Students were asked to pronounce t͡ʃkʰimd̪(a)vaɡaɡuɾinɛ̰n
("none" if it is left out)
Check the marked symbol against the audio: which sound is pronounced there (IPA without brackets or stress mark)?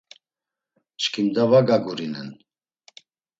a